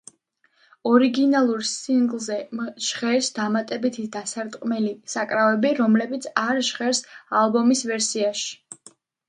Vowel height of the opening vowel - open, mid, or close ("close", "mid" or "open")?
mid